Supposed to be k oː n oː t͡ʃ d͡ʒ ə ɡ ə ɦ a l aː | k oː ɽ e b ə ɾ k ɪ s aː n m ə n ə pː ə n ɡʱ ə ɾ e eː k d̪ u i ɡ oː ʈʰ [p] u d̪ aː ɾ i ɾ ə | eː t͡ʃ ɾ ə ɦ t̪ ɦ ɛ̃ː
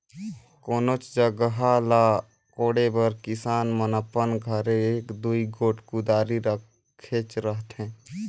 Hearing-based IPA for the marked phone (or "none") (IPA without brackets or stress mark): k